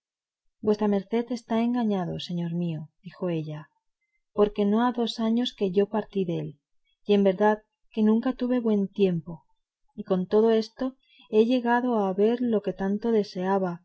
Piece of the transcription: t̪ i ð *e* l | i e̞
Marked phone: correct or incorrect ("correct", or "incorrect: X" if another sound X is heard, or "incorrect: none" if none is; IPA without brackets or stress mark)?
correct